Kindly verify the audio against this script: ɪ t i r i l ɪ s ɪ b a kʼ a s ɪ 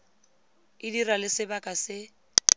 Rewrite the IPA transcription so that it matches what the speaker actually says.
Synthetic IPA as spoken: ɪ d i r a l ɪ s ɪ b a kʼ a s ɪ